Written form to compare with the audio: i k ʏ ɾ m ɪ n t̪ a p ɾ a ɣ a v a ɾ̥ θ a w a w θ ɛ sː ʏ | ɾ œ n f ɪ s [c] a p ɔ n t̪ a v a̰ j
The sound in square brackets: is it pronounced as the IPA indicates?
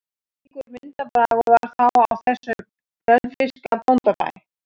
no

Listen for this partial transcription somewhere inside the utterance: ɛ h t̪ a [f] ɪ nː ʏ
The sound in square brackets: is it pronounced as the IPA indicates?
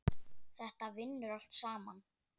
no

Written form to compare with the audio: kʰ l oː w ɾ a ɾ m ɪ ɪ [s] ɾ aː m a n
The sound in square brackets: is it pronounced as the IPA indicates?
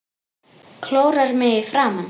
no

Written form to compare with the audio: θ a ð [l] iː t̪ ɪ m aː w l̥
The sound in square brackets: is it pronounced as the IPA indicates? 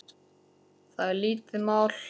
yes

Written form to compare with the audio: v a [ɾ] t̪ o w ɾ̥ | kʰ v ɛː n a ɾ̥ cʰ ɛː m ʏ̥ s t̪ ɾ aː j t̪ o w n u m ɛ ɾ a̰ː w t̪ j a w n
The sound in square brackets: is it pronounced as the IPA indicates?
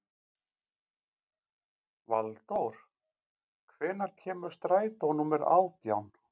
no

